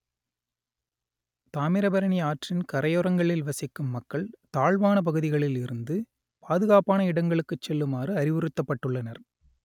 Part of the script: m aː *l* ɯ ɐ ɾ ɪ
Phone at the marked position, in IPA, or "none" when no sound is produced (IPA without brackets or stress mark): r